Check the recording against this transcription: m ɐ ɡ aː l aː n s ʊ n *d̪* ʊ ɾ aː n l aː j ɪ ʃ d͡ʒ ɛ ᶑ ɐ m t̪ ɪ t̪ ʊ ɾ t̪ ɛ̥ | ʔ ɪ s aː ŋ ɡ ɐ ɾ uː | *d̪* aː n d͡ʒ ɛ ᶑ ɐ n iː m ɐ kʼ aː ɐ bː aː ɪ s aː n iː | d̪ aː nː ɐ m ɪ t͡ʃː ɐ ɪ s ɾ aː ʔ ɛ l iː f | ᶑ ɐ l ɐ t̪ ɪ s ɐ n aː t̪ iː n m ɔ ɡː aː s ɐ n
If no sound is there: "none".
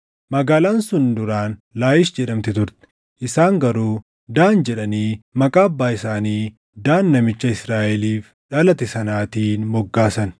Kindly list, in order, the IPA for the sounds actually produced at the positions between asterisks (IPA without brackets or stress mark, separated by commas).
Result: d̪, d̪